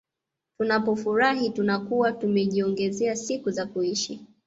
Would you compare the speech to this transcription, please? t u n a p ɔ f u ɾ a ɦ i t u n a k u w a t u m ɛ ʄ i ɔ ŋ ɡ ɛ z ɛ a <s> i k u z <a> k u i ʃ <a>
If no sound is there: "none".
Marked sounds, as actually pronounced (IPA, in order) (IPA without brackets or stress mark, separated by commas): s, a, i